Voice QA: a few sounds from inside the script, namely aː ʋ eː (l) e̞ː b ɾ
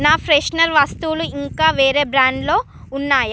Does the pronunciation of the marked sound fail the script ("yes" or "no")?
yes